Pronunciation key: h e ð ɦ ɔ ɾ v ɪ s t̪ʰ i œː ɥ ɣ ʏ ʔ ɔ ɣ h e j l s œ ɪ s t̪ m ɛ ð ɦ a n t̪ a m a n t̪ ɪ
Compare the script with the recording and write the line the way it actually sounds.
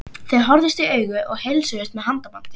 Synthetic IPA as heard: θ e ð ɦ ɔ ɾ ð ɪ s t̪ i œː ɥ ɣ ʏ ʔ ɔ ɣ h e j l s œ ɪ s t̪ m ɛ ð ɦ a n t̪ a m a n t̪ ɪ